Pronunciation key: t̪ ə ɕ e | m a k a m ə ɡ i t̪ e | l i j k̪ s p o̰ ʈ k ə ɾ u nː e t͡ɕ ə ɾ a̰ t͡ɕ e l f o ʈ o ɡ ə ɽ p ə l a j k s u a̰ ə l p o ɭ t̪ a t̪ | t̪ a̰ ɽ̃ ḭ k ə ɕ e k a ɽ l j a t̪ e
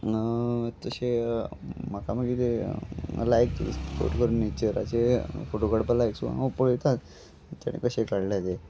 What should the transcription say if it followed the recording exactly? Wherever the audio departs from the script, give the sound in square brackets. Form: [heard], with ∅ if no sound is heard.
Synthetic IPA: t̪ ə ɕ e | m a k a m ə ɡ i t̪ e | l [a] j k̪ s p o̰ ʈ k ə ɾ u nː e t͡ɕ ə ɾ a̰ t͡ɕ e [∅] f o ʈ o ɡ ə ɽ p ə l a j k s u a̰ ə [∅] p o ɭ t̪ a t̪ | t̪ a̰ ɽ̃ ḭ k ə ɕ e k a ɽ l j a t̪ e